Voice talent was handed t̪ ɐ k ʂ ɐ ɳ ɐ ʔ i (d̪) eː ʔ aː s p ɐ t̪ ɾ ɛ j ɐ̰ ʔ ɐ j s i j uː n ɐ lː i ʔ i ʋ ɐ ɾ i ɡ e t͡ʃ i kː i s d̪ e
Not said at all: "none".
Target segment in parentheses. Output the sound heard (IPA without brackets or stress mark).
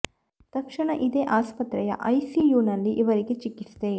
d̪